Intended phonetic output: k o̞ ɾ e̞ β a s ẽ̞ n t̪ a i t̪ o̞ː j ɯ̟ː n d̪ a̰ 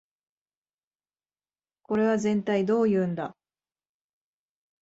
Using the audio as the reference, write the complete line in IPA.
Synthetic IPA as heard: k o̞ ɾ e̞ β a z ẽ̞ n t̪ a i d̪ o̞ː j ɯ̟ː n d̪ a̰